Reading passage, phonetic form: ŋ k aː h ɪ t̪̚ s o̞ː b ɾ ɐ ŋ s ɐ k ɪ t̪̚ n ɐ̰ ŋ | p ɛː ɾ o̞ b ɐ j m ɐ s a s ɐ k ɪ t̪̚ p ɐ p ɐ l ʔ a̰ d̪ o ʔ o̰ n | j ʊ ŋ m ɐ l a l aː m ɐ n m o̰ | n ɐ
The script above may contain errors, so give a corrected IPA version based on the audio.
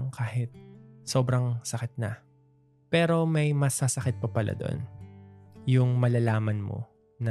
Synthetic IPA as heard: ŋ k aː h ɪ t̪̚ s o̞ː b ɾ ɐ ŋ s ɐ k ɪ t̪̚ n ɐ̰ | p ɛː ɾ o̞ m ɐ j m ɐ s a s ɐ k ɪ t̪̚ p ɐ p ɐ l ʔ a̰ d̪ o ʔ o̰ n | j ʊ ŋ m ɐ l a l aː m ɐ n m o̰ | n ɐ